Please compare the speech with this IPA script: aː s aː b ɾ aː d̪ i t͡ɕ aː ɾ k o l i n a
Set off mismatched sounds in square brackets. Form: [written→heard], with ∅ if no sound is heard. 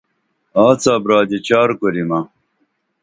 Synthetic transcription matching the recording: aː [s→t͡s] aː b ɾ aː d̪ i t͡ɕ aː ɾ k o [l→ɾ] i [n→m] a